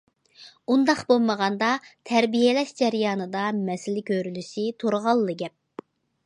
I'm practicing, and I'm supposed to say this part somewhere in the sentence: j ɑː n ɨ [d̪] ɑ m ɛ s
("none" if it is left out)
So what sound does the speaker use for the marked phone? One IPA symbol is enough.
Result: d̪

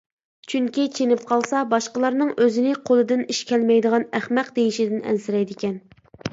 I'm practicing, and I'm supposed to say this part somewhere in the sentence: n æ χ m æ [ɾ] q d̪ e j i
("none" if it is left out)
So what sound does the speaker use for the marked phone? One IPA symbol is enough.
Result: none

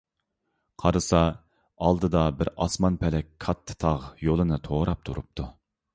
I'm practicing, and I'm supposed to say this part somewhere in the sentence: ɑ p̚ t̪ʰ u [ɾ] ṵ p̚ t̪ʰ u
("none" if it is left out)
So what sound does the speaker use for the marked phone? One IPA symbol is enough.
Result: ɾ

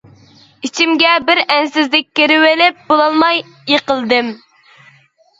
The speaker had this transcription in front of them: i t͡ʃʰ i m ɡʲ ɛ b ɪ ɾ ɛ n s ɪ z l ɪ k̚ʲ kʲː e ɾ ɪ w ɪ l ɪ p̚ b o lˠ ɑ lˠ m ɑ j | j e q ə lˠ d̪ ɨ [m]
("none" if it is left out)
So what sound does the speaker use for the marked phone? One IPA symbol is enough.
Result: m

